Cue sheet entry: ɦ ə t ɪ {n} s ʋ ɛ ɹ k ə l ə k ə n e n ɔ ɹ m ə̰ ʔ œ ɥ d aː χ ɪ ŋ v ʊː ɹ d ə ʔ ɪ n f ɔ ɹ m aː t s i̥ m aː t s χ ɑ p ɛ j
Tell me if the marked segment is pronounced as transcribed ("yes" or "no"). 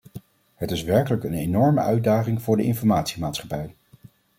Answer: no